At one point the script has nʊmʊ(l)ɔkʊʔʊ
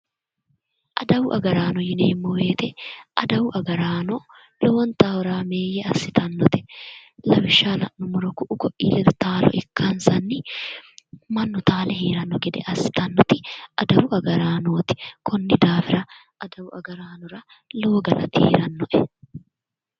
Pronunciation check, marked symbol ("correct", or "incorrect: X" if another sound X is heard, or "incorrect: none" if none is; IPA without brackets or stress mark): incorrect: ɾ